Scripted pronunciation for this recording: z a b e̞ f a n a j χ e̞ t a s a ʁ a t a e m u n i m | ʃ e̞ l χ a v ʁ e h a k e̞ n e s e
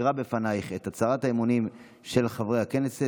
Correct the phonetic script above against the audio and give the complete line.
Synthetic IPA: ʁ a b e̞ f a n a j χ e̞ t a t͡s a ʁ a t a e m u n i m | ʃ e̞ l χ a v ʁ e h a k e̞ n e s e

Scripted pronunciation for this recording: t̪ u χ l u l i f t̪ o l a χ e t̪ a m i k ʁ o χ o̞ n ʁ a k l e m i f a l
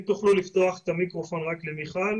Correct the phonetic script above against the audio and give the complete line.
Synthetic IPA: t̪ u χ l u l i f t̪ o a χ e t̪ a m i k ʁ o f o̞ n ʁ a k l e m i χ a l

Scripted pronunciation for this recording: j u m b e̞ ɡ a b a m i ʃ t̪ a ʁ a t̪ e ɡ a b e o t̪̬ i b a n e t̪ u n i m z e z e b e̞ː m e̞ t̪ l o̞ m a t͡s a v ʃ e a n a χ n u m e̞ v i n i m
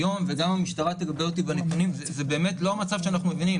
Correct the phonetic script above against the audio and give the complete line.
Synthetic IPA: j o m v e̞ ɡ a m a m i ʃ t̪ a ʁ a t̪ e ɡ a b e o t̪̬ i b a n e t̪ u n i m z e z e b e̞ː m e̞ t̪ l o̞ m a t͡s a v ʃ e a n a χ n u m e̞ v i n i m

